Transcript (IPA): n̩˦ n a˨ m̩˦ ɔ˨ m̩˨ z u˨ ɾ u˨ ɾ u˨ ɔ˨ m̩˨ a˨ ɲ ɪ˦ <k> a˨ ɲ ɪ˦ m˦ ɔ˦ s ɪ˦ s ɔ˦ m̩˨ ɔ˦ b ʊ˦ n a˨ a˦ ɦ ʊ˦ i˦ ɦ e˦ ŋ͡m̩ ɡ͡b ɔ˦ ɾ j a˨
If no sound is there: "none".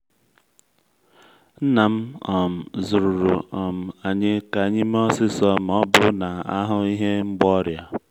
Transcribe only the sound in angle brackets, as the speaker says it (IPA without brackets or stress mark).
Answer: k